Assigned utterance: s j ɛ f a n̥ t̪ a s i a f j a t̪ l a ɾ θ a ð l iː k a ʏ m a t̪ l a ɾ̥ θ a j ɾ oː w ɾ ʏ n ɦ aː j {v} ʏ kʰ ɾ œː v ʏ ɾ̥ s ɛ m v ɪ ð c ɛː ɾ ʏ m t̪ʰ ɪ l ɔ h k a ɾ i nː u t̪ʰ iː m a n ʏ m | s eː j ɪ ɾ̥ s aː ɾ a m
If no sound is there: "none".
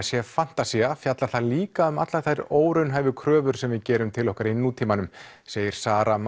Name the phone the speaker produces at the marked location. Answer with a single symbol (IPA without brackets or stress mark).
v